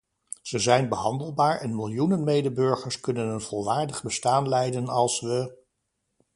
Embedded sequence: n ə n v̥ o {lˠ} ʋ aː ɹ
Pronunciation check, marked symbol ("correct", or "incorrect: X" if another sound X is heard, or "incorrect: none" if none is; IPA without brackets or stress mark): correct